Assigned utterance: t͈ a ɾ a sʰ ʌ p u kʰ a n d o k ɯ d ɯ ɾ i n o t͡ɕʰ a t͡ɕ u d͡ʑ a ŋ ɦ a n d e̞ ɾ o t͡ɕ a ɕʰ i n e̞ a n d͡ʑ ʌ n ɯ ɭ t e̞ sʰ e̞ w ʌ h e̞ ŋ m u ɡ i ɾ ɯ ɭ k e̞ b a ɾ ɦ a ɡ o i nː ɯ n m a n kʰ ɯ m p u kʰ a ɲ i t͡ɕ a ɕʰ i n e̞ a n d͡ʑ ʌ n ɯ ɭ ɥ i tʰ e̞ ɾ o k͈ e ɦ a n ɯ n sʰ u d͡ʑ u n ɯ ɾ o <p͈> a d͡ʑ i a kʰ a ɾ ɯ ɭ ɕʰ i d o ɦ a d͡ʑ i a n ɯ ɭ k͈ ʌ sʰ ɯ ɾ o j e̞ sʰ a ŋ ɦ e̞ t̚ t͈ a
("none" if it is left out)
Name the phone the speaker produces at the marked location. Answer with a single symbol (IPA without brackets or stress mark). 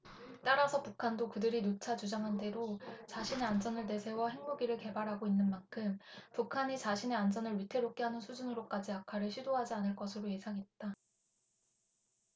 k͈